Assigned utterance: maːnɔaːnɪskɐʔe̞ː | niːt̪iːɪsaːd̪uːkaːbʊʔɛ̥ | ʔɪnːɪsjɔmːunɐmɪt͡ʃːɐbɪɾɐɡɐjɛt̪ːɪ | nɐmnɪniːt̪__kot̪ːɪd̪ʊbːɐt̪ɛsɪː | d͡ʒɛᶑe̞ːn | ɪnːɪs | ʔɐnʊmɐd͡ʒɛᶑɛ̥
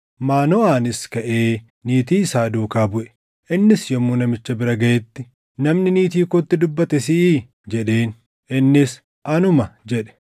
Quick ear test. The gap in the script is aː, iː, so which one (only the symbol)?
iː